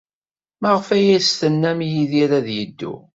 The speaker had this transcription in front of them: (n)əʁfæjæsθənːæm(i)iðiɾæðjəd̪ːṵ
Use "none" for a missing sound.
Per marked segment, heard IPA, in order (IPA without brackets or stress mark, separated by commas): m, j